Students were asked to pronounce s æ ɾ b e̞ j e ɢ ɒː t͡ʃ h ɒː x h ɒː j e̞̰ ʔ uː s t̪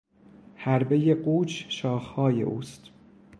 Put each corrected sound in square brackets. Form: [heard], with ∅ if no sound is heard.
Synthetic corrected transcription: [h] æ ɾ b e̞ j e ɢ [uː] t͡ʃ [ʃ] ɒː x h ɒː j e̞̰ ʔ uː s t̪